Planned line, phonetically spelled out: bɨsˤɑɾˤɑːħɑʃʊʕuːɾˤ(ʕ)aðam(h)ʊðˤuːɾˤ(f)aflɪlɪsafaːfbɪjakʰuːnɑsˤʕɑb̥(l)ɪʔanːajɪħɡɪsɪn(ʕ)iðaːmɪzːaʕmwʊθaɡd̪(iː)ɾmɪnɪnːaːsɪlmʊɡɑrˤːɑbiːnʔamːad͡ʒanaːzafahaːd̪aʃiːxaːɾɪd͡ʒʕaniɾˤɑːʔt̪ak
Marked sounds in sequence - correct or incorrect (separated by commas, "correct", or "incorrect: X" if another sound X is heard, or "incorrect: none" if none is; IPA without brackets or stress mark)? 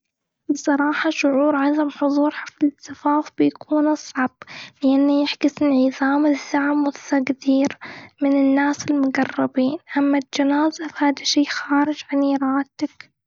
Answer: correct, incorrect: ħ, incorrect: ħ, correct, correct, correct